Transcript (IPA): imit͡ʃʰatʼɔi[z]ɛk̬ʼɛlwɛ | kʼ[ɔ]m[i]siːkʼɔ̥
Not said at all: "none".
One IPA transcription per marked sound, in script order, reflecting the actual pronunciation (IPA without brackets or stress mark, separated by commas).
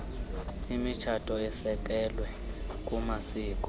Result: s, u, a